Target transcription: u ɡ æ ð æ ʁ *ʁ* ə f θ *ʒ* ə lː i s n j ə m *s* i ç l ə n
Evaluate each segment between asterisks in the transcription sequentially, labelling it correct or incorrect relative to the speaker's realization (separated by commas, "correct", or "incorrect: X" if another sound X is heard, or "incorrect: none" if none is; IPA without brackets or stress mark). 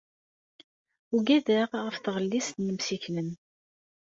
correct, incorrect: ʁ, correct